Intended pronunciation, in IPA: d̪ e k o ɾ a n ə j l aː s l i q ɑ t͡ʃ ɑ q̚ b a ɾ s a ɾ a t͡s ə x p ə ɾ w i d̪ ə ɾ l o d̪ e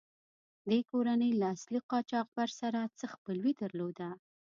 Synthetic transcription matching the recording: d̪ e k o ɾ a n ə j l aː s l i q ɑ t͡ʃ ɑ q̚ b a ɾ s a ɾ a t͡s ə x p ə l w i d̪ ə ɾ l o d̪ a